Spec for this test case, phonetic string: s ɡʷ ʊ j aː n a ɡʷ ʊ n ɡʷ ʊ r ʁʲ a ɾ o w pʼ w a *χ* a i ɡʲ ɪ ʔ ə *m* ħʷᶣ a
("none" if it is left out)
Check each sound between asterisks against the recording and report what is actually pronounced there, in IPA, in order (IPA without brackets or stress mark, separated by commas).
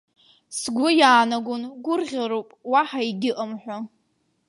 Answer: ħ, m